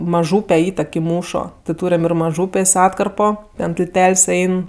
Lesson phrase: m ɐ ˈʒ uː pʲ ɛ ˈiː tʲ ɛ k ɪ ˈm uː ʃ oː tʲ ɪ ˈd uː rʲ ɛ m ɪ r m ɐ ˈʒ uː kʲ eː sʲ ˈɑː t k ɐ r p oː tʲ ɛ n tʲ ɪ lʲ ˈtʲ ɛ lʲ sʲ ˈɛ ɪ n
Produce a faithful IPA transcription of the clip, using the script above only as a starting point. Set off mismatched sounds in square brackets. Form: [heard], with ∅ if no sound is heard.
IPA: m ɐ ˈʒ uː pʲ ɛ ˈiː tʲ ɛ k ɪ ˈm uː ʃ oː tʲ ɪ [ˈt] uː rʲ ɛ m ɪ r m ɐ ˈʒ uː [pʲ] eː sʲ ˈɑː t k ɐ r p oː tʲ ɛ n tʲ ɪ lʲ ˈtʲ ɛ lʲ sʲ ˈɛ ɪ n